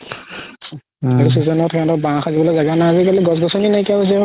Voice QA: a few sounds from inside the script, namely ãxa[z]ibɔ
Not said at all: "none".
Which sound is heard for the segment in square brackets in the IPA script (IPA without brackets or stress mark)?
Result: z